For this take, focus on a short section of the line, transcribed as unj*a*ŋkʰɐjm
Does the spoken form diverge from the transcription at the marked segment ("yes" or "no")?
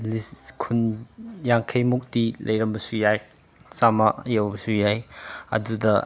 no